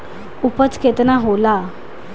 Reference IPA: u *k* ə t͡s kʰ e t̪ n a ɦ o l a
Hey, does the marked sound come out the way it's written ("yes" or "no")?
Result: no